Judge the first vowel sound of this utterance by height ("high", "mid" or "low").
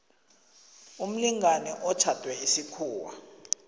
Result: high